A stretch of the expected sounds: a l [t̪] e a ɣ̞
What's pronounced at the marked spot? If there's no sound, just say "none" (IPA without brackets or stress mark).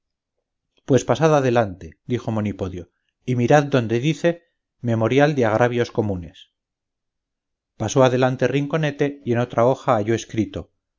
d̪